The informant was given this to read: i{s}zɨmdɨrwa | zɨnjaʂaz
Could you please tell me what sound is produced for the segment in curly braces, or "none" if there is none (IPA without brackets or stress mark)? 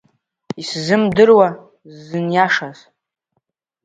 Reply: s